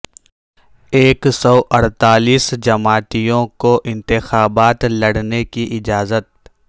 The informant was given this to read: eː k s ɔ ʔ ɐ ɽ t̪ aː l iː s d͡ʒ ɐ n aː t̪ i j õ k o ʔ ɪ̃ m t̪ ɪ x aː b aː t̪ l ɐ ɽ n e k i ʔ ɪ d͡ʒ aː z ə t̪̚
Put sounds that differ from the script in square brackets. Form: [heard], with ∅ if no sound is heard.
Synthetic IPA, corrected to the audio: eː k s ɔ ʔ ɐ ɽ t̪ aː l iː s d͡ʒ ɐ [m] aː t̪ i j õ k o ʔ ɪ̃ [n] t̪ ɪ x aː b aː t̪ l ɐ ɽ n e k i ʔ ɪ d͡ʒ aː z ə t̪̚